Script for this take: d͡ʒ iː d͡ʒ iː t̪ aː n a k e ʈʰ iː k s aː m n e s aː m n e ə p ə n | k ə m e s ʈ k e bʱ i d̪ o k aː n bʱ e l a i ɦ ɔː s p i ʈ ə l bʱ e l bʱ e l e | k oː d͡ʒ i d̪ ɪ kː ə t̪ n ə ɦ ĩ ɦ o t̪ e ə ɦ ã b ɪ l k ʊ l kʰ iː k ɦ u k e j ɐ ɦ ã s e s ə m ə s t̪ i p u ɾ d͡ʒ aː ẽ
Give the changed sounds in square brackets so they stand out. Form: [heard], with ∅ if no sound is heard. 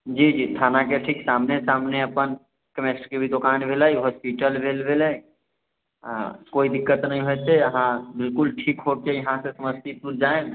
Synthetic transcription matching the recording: d͡ʒ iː d͡ʒ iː [t̪ʰ] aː n a k e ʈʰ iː k s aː m n e s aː m n e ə p ə n | k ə m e s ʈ k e bʱ i d̪ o k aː n bʱ e l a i ɦ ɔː s p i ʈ ə l bʱ e l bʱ e l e | k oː [∅] i d̪ ɪ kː ə t̪ n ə ɦ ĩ ɦ o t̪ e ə ɦ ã b ɪ l k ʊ l [ʈʰ] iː k ɦ [o] k e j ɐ ɦ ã s e s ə m ə s t̪ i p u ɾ d͡ʒ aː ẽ